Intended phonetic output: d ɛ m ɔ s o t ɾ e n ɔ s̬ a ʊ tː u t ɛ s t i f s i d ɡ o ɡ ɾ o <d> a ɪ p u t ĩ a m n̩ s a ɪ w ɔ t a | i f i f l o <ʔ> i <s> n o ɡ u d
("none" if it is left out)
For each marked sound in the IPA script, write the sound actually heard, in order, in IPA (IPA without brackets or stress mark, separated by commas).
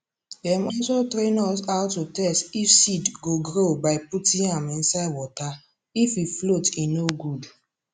b, t, none